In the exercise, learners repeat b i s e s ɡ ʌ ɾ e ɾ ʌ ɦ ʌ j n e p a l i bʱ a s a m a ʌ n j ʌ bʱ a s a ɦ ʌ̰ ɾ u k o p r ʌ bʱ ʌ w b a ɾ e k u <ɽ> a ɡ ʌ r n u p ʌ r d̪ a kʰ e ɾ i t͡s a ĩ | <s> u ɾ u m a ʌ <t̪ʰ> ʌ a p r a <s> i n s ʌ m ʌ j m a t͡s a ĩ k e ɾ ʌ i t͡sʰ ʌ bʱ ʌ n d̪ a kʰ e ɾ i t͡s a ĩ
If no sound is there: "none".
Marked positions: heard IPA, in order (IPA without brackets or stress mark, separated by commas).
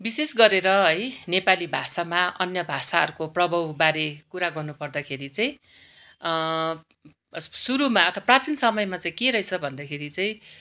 ɾ, s, t̪ʰ, t͡s